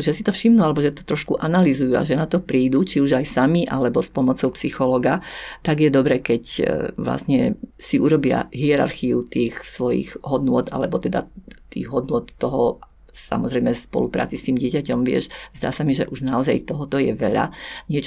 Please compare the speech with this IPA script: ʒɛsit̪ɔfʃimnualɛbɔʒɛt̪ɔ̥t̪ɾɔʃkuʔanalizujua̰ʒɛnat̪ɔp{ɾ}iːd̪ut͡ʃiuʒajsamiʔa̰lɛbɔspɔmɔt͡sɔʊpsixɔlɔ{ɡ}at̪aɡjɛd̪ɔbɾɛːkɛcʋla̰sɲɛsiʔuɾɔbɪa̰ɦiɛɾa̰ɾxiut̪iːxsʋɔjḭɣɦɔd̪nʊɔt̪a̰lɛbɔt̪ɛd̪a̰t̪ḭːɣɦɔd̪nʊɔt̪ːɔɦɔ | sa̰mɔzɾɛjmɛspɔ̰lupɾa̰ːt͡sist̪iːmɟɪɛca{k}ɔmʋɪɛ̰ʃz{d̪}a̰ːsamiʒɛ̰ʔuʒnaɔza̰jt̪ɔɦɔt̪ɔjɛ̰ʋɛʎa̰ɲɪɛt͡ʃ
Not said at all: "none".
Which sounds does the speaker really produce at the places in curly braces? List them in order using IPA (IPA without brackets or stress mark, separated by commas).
ɾ, ɡ, c, d̪